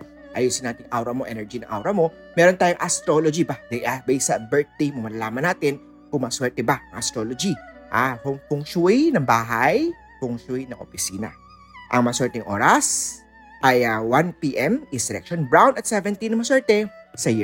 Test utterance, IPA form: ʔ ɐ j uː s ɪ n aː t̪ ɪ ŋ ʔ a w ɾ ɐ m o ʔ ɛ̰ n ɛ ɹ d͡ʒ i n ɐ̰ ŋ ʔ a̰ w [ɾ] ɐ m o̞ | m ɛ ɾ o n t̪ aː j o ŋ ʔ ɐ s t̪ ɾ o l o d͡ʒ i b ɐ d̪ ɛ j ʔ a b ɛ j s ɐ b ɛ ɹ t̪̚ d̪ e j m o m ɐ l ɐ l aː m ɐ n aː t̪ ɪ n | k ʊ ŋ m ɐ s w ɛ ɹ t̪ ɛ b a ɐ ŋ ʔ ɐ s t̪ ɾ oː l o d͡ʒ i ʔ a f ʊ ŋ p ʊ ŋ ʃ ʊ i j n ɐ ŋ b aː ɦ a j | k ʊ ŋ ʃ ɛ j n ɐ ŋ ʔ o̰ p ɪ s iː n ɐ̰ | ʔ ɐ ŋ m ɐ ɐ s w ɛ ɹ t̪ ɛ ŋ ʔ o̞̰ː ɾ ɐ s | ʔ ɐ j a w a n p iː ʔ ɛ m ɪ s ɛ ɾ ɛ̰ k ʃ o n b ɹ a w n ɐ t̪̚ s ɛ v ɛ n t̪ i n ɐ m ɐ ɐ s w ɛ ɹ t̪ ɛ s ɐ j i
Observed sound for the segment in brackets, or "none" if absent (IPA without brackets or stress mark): ɾ